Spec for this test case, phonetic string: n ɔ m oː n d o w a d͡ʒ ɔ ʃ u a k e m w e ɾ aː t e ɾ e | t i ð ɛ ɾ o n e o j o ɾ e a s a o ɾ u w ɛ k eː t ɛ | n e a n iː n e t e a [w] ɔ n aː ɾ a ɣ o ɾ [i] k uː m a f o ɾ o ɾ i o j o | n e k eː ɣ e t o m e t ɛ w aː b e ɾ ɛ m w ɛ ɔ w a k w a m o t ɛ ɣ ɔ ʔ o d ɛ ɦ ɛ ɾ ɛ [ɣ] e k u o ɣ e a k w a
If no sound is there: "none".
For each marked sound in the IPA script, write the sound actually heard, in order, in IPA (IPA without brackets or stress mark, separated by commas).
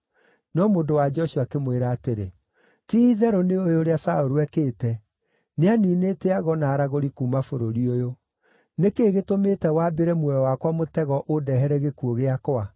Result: ɣ, i, ɣ